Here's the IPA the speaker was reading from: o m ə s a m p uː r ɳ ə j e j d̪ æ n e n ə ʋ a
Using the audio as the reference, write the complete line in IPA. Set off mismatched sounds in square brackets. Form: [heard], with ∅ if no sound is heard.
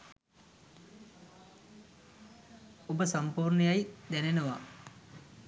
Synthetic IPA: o [b] ə s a m p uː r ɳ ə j [a] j d̪ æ n e n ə ʋ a